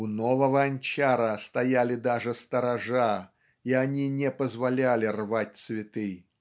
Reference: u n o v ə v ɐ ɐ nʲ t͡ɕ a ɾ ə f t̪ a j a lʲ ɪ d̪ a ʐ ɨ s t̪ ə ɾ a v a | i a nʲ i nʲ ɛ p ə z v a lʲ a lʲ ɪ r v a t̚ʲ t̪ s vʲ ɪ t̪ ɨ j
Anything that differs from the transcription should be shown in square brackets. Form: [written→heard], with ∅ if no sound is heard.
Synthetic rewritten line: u n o v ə v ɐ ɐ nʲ t͡ɕ a ɾ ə [f→s] t̪ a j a lʲ ɪ d̪ a ʐ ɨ s t̪ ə ɾ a [v→ʐ] a | i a nʲ i nʲ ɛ p ə z v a lʲ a lʲ ɪ r v a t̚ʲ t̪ s vʲ ɪ t̪ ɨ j